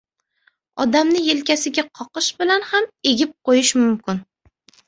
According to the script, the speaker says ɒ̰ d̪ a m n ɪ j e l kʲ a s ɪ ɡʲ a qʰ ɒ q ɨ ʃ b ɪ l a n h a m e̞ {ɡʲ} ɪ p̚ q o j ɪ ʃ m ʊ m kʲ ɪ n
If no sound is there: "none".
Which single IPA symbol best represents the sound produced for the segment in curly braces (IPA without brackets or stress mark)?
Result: ɡʲ